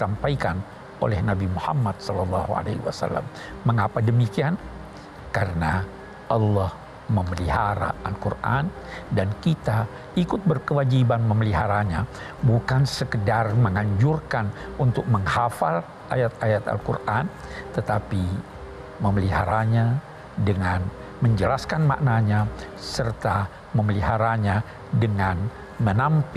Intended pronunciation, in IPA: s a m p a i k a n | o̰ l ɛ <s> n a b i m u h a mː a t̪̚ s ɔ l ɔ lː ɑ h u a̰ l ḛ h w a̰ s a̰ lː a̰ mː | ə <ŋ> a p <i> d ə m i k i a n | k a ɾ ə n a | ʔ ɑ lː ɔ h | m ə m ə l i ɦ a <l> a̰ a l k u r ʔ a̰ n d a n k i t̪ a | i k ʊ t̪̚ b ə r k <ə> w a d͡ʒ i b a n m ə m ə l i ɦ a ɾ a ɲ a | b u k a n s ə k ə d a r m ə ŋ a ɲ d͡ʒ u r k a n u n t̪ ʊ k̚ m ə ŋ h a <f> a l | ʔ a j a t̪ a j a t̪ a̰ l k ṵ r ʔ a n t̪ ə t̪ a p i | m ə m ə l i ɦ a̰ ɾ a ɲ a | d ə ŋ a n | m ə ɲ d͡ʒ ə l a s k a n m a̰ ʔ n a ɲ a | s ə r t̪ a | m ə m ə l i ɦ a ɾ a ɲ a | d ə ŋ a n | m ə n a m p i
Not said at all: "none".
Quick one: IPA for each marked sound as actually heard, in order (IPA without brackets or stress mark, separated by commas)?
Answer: h, ŋ, a, ɾ, ə, f